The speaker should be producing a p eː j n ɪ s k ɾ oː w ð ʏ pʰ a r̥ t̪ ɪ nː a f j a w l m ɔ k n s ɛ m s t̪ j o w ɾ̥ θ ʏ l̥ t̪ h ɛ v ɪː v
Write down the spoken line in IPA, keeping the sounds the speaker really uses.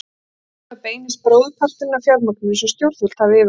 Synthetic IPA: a p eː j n ɪ s p ɾ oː w ð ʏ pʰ a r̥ t̪ ɪ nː a f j a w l m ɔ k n s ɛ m s t̪ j o w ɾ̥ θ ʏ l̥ t̪ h a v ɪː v